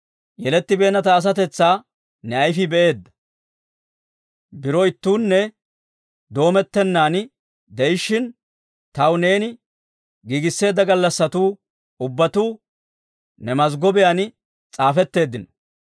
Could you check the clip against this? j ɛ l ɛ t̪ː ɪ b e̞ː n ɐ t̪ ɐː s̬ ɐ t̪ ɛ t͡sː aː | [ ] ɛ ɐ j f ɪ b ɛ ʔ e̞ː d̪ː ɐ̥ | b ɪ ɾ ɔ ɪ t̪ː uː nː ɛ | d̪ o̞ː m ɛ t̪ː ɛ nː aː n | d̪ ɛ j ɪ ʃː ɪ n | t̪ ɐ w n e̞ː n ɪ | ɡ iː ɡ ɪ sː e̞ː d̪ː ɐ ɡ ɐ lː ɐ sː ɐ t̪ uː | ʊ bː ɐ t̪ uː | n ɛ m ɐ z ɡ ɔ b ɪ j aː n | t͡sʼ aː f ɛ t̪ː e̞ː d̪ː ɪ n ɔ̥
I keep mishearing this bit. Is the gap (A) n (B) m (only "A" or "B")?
A